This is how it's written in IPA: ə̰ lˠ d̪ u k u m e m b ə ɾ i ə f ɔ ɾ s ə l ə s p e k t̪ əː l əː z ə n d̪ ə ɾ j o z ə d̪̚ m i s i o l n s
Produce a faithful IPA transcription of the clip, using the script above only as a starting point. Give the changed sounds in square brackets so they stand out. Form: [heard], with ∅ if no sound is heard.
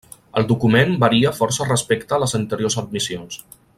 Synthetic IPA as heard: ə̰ lˠ d̪ u k u m e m b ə ɾ i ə f ɔ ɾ s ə [r] ə s p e k t̪ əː l [ə] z ə n [t̪] ə ɾ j o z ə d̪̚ m i s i o [∅] n s